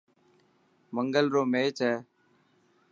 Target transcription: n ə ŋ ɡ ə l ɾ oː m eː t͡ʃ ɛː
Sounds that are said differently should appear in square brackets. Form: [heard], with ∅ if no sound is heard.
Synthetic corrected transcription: [m] ə ŋ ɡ ə l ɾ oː m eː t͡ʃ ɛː